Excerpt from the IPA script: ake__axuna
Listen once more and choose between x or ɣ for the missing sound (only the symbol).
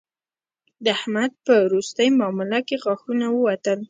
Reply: ɣ